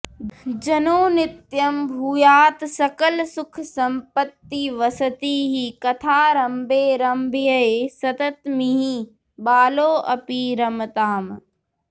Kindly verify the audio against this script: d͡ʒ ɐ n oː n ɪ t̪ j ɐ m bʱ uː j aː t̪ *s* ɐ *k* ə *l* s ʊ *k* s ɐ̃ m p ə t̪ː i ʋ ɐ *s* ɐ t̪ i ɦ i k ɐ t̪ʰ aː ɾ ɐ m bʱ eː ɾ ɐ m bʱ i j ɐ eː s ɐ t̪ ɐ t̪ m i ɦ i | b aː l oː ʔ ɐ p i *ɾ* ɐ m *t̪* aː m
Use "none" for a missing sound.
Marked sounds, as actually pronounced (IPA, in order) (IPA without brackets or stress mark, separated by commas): s, k, l, kʰ, s, ɾ, t̪